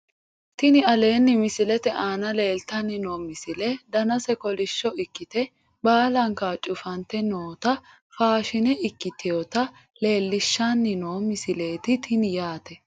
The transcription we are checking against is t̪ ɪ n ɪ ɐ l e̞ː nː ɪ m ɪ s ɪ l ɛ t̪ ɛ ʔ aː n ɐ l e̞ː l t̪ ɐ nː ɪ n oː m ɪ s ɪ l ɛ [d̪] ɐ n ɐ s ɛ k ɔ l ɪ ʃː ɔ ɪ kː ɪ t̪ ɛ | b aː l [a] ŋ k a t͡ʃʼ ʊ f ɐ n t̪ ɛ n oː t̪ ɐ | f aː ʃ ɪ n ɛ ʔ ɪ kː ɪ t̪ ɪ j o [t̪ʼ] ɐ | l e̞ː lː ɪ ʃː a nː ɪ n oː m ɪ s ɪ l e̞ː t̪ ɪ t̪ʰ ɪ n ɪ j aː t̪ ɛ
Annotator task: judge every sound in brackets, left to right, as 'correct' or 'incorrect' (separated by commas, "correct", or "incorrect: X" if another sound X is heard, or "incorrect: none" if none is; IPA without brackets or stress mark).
correct, incorrect: ɐ, incorrect: t̪